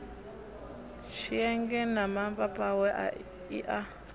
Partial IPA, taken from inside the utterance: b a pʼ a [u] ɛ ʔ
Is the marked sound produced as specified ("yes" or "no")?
no